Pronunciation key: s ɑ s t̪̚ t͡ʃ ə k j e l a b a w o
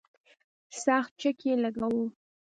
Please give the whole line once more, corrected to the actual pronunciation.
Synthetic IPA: s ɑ x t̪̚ t͡ʃ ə k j e l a ɡ a w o